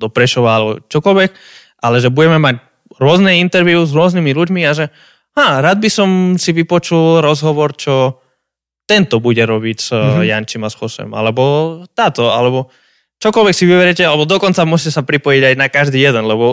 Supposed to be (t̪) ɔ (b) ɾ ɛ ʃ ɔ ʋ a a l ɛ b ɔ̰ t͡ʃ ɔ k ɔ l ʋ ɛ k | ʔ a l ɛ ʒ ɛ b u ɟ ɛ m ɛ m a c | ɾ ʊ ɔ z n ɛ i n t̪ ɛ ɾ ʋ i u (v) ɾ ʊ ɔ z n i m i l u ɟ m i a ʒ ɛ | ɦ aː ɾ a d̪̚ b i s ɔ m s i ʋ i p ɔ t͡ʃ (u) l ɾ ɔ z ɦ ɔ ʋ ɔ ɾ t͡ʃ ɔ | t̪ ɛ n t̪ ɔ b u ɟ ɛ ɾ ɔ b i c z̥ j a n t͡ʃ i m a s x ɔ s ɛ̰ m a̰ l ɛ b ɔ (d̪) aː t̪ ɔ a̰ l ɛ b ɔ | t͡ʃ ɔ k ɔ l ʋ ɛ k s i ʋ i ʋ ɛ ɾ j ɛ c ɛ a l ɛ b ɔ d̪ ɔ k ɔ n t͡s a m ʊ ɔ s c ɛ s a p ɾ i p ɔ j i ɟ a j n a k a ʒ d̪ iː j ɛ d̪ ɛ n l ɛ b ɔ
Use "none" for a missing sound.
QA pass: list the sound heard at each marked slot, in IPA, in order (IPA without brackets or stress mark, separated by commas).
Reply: d̪, p, z, u, t̪